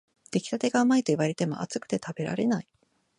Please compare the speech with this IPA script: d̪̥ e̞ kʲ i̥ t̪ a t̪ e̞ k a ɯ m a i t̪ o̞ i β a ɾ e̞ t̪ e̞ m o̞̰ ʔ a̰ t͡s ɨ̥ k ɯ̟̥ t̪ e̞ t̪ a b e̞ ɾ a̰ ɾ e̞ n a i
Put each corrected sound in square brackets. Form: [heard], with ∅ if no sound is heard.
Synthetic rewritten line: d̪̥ e̞ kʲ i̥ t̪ a t̪ e̞ [ɡ] a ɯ m a i t̪ o̞ i β a ɾ e̞ t̪ e̞ m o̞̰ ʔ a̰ t͡s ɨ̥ k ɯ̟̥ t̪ e̞ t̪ a b e̞ ɾ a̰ ɾ e̞ n a i